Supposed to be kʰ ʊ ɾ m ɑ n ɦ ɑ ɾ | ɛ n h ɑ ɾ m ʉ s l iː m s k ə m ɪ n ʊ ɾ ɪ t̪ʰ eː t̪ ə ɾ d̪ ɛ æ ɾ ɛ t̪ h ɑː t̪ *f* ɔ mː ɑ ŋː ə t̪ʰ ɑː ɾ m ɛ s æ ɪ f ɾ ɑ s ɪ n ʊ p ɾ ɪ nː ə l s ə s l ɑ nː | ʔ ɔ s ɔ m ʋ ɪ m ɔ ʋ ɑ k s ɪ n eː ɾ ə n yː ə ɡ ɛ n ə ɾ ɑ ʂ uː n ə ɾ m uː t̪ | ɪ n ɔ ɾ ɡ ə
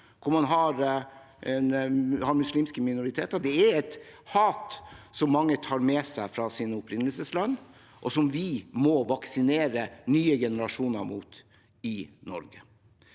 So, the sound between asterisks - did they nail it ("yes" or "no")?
no